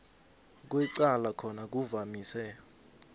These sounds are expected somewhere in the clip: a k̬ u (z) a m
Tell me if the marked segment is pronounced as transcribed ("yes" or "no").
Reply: no